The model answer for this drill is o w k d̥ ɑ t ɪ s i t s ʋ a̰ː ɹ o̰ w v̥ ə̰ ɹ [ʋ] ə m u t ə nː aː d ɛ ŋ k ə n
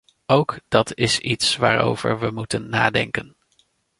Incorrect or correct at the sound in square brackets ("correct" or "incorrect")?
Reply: correct